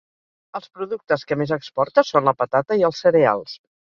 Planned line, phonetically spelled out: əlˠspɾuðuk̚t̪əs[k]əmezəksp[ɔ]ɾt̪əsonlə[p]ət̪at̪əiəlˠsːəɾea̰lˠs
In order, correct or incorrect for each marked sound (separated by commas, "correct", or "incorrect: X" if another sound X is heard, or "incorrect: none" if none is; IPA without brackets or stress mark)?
correct, correct, correct